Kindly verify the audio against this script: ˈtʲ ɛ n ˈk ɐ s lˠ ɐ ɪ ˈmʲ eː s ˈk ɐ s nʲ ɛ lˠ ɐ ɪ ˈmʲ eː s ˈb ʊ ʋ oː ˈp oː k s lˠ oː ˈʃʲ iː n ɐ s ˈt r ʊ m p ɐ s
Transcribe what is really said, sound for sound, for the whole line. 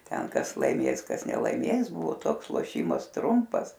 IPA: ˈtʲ ɛ n ˈk ɐ s lˠ ɐ ɪ ˈmʲ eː s ˈk ɐ s nʲ ɛ lˠ ɐ ɪ ˈmʲ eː s ˈb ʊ ʋ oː ˈt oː k s lˠ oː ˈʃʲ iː m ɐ s ˈt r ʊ m p ɐ s